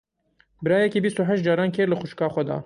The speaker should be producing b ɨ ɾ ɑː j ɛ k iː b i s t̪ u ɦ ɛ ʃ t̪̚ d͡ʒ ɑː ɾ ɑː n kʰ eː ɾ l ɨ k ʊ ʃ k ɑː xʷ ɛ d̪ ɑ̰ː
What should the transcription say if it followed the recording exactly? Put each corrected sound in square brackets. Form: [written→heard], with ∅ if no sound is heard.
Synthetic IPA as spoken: b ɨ ɾ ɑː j ɛ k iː b i s t̪ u ɦ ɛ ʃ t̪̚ d͡ʒ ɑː ɾ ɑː n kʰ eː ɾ l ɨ [k→x] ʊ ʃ k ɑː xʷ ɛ d̪ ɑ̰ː